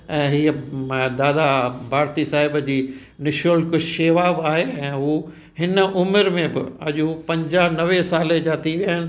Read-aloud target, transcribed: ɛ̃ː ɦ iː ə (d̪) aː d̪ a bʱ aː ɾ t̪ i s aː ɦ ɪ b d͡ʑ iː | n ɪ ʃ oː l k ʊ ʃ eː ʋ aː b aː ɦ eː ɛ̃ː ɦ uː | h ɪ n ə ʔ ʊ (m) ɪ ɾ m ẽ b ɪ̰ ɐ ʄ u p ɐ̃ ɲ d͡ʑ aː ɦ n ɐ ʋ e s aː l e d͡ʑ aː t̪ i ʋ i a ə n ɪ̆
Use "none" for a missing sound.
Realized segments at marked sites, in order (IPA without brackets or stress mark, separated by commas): d̪, m